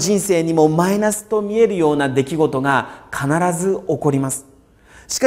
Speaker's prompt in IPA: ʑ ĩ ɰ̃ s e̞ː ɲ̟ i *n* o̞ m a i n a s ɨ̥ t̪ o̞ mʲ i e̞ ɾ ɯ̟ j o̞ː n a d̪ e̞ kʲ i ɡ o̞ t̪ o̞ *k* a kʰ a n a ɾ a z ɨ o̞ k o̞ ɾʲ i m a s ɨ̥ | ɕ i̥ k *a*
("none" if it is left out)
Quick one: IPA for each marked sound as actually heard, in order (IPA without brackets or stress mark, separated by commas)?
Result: m, ɡ, a